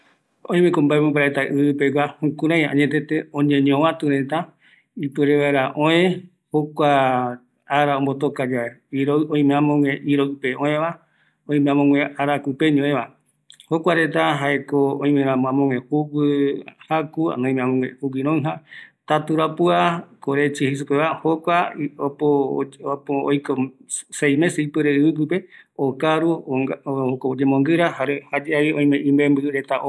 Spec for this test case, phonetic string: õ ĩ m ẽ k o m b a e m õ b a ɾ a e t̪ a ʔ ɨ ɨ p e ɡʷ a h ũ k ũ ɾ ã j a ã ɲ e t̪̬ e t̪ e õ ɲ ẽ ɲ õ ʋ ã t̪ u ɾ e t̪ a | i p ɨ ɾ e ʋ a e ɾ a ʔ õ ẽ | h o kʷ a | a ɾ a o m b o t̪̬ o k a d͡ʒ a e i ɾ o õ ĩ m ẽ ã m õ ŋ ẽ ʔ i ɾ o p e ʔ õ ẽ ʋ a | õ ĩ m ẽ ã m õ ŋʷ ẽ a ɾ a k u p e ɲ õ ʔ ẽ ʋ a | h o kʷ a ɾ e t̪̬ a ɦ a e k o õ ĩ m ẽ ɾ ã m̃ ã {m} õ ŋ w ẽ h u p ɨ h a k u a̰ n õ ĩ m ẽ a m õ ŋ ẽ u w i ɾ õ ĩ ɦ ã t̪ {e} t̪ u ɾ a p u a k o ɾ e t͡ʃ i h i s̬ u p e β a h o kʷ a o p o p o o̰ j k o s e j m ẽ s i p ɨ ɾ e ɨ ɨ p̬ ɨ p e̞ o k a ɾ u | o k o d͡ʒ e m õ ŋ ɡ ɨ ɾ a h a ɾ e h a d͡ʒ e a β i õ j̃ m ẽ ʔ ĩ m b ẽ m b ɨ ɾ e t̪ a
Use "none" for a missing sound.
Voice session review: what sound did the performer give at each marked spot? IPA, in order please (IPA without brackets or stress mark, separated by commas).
m, a